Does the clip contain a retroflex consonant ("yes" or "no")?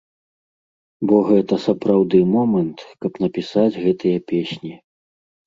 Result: no